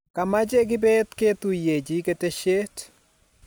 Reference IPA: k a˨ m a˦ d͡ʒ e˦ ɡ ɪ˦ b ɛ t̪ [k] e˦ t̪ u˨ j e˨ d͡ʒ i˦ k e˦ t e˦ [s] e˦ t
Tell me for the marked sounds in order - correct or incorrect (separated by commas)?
correct, incorrect